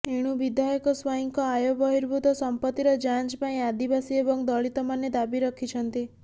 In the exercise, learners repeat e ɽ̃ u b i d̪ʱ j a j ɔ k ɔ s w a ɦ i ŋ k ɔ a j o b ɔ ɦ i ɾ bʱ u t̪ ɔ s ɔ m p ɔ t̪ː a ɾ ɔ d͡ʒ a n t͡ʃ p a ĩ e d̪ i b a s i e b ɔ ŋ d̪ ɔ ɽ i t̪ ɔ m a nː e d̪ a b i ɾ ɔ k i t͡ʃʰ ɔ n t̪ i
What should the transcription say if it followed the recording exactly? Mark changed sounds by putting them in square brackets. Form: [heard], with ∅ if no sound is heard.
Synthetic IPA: e ɽ̃ u b i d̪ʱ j a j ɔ k ɔ s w a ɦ i ŋ k ɔ a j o b ɔ ɦ i ɾ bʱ u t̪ ɔ s ɔ m p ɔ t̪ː [i] ɾ ɔ d͡ʒ a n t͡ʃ p a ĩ [a] d̪ i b a s i e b ɔ ŋ d̪ ɔ [ɭ] i t̪ ɔ m a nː e d̪ a b i ɾ ɔ [kʰ] i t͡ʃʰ ɔ n t̪ i